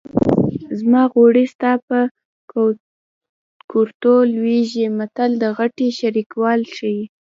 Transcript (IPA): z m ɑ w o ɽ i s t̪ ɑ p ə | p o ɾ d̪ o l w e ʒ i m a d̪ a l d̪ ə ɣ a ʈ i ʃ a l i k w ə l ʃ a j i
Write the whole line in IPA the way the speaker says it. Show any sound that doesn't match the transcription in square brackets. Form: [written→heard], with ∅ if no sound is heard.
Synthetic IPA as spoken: z m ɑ [w→ɣ] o ɽ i s t̪ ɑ p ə | [p→k] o ɾ [d̪→t̪] o l w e ʒ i m a [d̪→t̪] a l d̪ ə ɣ a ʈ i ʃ a [l→ɾ] i k w [ə→ɑ] l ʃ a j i